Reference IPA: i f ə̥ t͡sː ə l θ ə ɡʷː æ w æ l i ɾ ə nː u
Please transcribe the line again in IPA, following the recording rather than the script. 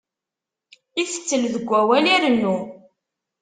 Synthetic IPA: i θ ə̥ t͡sː ə l ð ə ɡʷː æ w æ l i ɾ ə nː u